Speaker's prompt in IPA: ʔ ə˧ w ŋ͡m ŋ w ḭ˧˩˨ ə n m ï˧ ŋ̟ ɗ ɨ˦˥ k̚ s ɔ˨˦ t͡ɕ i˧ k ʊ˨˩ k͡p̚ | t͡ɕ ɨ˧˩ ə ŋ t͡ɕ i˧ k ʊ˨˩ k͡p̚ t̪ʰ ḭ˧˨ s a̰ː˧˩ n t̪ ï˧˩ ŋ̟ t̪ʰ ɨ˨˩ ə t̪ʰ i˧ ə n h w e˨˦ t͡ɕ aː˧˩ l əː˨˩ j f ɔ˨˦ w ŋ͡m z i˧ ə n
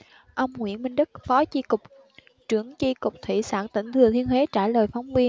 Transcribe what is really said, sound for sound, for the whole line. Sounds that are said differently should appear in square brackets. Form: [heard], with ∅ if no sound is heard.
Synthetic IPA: ʔ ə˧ w ŋ͡m ŋ w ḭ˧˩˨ ə n m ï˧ ŋ̟ ɗ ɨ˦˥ k̚ [f] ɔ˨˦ t͡ɕ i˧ k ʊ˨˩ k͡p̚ | t͡ɕ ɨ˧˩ ə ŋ t͡ɕ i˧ k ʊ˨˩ k͡p̚ t̪ʰ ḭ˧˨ s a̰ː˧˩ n t̪ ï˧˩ ŋ̟ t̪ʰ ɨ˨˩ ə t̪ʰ i˧ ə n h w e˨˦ t͡ɕ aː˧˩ l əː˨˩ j f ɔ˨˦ w ŋ͡m [v] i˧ ə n